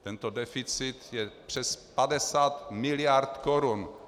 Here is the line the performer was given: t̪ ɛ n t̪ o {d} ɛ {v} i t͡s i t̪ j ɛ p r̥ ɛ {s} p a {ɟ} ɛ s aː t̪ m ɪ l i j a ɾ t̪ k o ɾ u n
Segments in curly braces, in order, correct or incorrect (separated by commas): correct, incorrect, correct, incorrect